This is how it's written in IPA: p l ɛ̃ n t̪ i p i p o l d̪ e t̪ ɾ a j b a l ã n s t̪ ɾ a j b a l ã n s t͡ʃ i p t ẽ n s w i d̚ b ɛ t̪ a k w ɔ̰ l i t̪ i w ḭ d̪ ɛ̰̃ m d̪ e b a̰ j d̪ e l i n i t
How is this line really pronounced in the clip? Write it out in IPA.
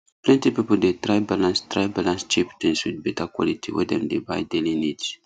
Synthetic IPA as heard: p l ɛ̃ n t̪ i p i p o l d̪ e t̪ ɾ a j b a l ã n s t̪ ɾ a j b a l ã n s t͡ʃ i p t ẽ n s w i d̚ b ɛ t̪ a k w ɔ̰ l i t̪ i w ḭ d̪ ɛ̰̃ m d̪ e b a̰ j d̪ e l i n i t